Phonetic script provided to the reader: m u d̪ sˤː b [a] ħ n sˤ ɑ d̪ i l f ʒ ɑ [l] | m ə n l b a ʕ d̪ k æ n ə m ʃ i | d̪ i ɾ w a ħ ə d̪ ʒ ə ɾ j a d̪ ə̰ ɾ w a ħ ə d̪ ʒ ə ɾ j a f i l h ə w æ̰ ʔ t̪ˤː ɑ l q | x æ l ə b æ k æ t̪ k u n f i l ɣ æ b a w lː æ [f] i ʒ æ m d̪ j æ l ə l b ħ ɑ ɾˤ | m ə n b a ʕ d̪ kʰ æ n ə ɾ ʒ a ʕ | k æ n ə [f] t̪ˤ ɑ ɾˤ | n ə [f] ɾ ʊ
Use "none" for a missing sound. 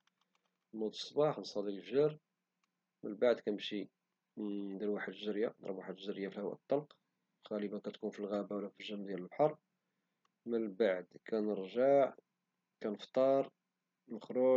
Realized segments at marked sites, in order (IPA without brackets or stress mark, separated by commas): ɑ, ɾ, f, f, x